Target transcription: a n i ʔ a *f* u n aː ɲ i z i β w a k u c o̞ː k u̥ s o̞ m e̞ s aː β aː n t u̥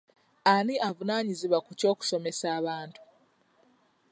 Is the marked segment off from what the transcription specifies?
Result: yes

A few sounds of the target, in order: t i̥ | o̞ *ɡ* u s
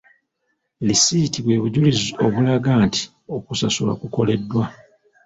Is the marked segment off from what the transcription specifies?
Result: yes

